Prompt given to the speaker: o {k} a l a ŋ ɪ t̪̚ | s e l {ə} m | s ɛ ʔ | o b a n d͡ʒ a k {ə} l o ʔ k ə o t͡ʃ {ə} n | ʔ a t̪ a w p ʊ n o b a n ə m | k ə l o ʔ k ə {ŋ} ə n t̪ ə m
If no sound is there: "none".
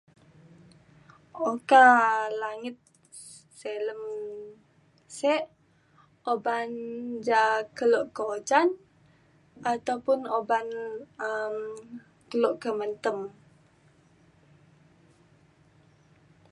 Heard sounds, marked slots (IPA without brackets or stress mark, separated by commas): k, ə, ə, a, m